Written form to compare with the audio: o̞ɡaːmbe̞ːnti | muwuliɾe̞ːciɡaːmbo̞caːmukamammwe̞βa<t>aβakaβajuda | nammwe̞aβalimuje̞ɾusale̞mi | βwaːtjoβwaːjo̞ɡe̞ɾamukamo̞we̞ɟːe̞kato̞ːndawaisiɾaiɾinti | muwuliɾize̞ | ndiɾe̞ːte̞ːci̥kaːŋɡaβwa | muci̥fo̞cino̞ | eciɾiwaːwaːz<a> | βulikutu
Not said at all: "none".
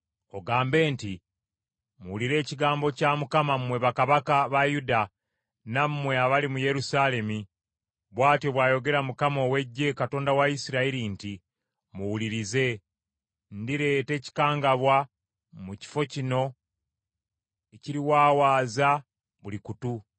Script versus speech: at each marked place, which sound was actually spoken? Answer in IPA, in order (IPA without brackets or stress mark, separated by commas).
k, a